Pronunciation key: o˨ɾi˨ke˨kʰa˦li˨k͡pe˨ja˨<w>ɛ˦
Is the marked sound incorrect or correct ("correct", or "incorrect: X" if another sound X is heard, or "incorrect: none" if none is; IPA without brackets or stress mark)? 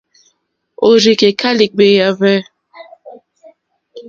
incorrect: v